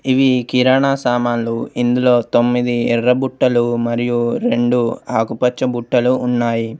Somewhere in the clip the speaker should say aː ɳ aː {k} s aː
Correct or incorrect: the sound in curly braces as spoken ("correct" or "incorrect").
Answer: incorrect